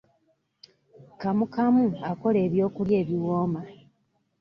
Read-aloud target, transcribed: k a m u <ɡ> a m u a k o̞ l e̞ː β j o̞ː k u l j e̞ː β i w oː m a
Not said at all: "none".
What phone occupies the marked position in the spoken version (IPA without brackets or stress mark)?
k